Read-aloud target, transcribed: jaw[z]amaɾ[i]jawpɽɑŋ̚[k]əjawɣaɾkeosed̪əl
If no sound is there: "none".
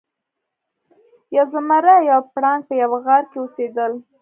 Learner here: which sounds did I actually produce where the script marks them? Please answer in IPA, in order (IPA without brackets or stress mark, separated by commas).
z, a, p